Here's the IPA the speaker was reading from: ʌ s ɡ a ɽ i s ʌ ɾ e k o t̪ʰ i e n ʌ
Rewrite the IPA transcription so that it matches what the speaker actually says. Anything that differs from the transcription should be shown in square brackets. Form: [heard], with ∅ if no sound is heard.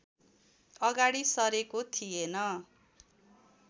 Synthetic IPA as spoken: ʌ [∅] ɡ a ɽ i s ʌ ɾ e k o t̪ʰ i e n ʌ